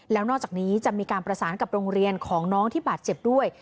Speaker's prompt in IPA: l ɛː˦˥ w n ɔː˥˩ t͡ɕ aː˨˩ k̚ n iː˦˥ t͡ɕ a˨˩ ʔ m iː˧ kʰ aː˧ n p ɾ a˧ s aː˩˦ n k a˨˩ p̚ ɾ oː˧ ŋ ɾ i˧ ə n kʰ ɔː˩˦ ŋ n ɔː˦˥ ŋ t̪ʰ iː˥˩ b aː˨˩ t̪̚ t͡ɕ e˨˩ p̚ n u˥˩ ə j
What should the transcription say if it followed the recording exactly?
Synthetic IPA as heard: l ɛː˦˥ w n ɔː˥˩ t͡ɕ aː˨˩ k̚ n iː˦˥ t͡ɕ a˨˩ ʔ m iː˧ k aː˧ n p ɾ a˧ s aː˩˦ n k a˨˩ p̚ ɾ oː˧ ŋ ɾ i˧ ə n kʰ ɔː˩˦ ŋ n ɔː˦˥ ŋ t̪ʰ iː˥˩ b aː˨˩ t̪̚ t͡ɕ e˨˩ p̚ d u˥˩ ə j